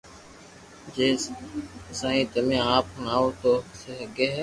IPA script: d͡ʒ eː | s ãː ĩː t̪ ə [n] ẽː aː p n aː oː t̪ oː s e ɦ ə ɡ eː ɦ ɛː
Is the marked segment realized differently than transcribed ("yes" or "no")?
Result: yes